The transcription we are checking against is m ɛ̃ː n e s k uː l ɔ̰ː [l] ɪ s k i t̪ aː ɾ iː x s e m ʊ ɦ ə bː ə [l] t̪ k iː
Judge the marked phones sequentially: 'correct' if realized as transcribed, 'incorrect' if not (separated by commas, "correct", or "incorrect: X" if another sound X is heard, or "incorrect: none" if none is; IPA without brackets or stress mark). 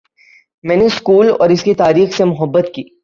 incorrect: ɾ, incorrect: none